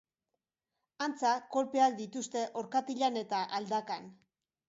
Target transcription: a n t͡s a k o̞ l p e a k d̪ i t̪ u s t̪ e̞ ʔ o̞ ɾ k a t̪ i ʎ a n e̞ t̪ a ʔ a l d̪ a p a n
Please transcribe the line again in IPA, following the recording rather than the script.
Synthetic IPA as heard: a n t͡s a k o̞ l p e a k d̪ i t̪ u s t̪ e̞ ʔ o̞ ɾ k a t̪ i ʎ a n e̞ t̪ a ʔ a l d̪ a k a n